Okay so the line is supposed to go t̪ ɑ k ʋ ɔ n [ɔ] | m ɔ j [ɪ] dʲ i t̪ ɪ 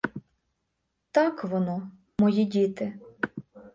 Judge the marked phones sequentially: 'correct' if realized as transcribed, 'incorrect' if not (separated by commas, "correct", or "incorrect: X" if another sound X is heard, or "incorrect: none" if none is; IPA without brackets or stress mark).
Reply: correct, incorrect: i